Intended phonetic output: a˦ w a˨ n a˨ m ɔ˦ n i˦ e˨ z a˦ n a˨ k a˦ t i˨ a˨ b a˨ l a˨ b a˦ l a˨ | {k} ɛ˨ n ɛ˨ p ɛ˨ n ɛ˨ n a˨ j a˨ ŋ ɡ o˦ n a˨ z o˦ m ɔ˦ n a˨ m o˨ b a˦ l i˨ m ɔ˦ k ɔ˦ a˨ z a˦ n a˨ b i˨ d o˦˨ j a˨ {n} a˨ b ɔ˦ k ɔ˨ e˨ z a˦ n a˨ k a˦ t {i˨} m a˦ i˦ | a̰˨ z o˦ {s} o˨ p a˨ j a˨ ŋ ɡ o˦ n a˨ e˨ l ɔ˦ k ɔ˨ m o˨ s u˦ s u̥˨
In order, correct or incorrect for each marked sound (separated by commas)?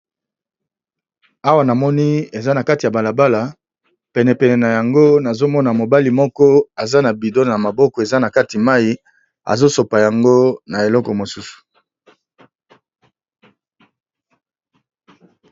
incorrect, incorrect, correct, correct